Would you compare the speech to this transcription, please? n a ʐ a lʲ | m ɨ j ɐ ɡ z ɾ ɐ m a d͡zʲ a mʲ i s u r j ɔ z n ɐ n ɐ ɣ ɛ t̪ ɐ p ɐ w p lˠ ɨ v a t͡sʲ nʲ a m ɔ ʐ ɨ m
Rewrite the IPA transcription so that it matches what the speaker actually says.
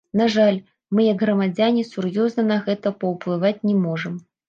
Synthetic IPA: n a ʐ a lʲ | m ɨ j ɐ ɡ ɣ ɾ ɐ m a d͡zʲ a nʲ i s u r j ɔ z n ɐ n ɐ ɣ ɛ t̪ ɐ p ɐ w p lˠ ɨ v a t͡sʲ nʲ ɛ m ɔ ʐ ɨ m